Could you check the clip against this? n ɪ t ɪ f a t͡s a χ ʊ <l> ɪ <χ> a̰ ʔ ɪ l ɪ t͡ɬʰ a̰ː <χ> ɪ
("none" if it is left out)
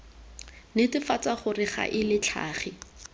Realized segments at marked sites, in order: r, χ, χ

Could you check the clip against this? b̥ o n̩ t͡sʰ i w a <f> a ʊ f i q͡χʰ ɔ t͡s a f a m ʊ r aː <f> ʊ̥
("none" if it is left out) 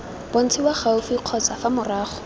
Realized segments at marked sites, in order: χ, χ

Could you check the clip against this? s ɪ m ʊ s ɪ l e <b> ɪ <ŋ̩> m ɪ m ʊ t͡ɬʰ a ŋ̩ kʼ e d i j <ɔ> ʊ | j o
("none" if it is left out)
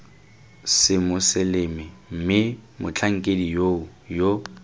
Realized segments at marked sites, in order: m, m̩, o

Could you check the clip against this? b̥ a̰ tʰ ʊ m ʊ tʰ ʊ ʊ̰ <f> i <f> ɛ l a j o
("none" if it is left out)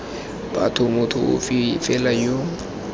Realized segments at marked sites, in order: f, f

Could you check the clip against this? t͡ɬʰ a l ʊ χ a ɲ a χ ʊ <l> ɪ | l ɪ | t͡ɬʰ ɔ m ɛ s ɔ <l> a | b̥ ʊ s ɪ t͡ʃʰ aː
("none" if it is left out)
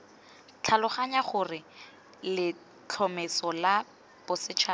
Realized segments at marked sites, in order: r, l

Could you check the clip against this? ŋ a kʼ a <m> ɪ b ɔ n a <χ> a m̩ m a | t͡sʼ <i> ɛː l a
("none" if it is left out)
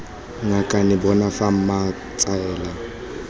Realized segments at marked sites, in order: n, f, a

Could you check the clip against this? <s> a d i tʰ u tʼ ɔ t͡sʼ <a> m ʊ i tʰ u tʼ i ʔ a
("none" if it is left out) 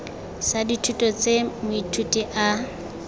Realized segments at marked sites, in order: s, e

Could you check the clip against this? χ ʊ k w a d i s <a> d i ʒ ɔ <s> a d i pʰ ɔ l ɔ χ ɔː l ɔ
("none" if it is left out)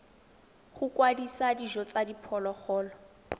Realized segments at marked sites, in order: a, t͡s

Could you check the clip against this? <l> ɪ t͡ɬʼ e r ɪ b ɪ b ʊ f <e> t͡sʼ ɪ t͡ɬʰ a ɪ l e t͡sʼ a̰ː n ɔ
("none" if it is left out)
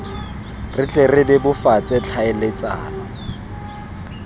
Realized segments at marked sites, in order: r, a

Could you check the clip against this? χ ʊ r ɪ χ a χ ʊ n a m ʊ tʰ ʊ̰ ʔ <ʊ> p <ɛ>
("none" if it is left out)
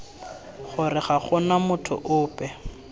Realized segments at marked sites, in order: ʊː, ɛ

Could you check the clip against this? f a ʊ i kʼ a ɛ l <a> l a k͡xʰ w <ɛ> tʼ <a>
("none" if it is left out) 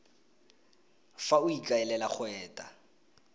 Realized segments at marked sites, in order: ɛ, ɛː, a

